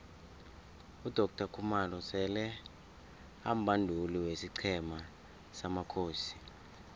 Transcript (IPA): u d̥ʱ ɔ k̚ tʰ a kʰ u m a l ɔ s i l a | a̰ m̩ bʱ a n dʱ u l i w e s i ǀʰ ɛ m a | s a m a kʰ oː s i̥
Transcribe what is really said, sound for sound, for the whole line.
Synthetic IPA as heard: u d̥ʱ ɔ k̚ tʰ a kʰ u m a l ɔ s ɛ l ɛ | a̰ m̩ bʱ a n dʱ u l i w e s i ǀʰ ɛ m a | s a m a kʰ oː s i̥